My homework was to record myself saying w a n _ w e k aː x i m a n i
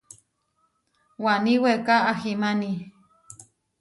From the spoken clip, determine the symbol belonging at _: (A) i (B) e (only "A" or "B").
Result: A